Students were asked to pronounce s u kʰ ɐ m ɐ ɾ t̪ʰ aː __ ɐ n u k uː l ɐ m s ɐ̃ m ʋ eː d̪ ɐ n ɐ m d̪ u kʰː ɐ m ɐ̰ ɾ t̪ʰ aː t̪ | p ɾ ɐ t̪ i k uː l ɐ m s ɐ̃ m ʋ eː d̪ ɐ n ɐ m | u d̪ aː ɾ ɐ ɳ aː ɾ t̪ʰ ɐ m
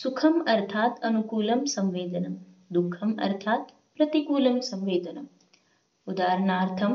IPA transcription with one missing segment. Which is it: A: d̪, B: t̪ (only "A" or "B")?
B